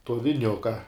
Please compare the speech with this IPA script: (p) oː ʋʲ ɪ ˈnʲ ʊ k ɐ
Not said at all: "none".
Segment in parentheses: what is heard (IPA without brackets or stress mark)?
t